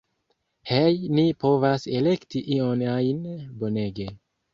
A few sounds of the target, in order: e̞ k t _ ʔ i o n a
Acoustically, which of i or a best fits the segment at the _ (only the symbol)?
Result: i